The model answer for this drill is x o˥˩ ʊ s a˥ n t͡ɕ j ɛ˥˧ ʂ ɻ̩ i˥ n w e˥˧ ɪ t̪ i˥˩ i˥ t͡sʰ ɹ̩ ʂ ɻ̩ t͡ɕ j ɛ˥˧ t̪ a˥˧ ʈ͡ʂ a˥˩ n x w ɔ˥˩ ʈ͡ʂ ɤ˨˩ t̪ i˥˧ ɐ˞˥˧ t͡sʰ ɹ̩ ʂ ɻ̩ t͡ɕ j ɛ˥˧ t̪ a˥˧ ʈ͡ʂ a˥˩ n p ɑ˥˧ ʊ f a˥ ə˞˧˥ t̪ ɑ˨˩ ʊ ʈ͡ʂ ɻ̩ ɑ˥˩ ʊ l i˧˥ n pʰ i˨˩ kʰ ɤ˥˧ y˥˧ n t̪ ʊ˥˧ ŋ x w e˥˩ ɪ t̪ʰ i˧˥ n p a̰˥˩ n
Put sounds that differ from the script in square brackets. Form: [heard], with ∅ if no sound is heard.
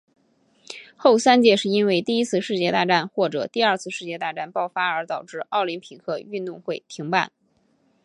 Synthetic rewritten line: x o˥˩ ʊ s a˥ n t͡ɕ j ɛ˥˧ ʂ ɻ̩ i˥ n w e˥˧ ɪ t̪ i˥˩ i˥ t͡sʰ ɹ̩ ʂ ɻ̩ t͡ɕ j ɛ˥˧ t̪ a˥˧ ʈ͡ʂ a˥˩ n x w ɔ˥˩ ʈ͡ʂ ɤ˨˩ t̪ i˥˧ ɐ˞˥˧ t͡sʰ ɹ̩ ʂ ɻ̩ t͡ɕ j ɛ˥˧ t̪ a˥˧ ʈ͡ʂ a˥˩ n p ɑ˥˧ ʊ f a˥ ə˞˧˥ t̪ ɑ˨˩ ʊ ʈ͡ʂ ɻ̩ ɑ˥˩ ʊ l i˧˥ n pʰ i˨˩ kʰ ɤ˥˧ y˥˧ n t̪ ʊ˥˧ ŋ x w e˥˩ ɪ t̪ʰ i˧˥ [ŋ] p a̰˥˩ n